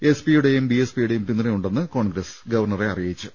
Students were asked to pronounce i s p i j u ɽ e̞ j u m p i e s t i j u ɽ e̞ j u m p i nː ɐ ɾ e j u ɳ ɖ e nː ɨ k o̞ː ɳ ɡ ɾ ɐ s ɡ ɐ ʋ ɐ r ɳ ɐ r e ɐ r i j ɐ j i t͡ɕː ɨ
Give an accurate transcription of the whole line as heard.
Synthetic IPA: e s p i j u ɽ e̞ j u m b i e s p i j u ɽ e̞ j u m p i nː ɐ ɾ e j u ɳ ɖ e nː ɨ k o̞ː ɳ ɡ ɾ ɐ s ɡ ɐ ʋ ɐ r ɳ ɐ r e ɐ r i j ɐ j i t͡ɕː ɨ